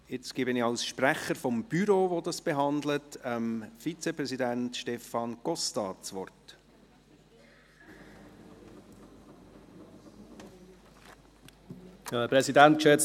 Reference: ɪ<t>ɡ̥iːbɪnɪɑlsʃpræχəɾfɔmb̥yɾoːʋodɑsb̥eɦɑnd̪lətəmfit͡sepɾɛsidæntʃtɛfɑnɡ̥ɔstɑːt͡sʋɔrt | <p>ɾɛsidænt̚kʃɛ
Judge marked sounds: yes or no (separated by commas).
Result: no, yes